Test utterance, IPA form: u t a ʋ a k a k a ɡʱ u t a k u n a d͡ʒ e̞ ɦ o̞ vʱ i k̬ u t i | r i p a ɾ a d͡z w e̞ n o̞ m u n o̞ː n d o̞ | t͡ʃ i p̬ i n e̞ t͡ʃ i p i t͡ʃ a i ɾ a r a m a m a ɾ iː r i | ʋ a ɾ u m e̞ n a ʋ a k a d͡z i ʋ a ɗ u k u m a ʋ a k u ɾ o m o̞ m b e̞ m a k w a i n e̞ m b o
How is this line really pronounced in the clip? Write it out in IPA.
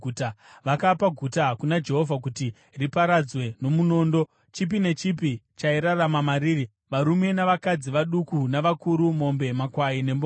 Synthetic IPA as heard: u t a ʋ a k a p a ɡʱ u t a k u n a d͡ʒ e̞ ɦ o̞ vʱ a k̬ u t i | r i p a ɾ a d͡z w e̞ n o̞ m u n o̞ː n d o̞ | t͡ʃ i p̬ i n e̞ t͡ʃ i p i t͡ʃ a i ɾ a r a m a m a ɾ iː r i | ʋ a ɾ u m e̞ n a ʋ a k a d͡z i ʋ a ɗ u k u n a ʋ a k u ɾ u m o̞ m b e̞ m a k w a i n e̞ m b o